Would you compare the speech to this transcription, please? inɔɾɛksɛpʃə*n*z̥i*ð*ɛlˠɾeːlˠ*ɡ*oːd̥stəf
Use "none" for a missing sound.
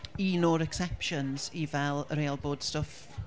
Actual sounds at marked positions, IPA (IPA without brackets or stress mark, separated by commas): n, v, b